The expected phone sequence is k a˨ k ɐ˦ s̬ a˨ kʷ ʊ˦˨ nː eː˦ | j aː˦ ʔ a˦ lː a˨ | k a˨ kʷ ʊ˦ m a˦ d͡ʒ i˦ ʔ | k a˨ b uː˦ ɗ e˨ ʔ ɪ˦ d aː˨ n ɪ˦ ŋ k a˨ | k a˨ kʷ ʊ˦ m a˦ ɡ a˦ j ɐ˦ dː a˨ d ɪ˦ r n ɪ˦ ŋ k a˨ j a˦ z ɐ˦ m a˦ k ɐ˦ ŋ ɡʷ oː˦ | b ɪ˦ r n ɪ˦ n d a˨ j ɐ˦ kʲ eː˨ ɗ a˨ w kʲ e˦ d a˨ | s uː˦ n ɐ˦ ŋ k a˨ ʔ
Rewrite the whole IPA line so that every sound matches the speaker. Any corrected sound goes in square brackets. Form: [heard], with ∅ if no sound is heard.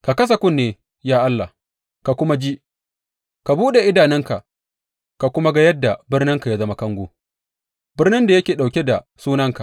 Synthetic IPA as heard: k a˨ k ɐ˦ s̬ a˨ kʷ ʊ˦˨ nː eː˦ | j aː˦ ʔ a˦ lː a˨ | k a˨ kʷ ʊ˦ m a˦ d͡ʒ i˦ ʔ | k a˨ b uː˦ ɗ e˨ ʔ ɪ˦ d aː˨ n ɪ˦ ŋ k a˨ | k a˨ kʷ ʊ˦ m a˦ ɡ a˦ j ɐ˦ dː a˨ [b] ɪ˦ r n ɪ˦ ŋ k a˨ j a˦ z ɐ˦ m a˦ k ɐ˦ ŋ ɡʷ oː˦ | b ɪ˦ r n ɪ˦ n d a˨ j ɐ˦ kʲ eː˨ ɗ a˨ w kʲ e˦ d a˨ | s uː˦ n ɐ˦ ŋ k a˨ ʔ